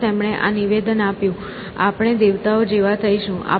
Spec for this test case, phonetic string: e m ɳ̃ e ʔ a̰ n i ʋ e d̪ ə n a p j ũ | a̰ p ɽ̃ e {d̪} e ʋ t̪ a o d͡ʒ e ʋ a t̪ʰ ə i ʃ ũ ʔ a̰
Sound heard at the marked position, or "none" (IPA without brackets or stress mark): d̪